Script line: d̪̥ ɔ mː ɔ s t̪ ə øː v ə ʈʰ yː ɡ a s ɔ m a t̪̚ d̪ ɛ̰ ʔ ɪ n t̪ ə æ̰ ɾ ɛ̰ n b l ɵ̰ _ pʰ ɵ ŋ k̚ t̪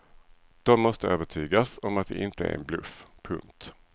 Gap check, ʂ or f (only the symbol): f